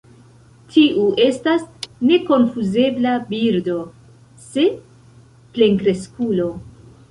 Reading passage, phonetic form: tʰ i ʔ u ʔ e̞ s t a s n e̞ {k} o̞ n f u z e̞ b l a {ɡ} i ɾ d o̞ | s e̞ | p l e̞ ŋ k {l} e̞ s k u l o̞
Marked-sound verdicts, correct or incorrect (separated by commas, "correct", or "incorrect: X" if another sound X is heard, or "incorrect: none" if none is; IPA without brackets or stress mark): correct, incorrect: b, incorrect: ɾ